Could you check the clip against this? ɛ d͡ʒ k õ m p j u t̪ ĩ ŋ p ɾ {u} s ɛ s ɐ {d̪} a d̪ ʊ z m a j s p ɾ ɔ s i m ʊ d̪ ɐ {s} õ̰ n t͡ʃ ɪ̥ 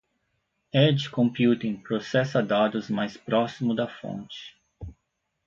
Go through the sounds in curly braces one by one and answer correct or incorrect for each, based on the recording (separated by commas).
incorrect, correct, incorrect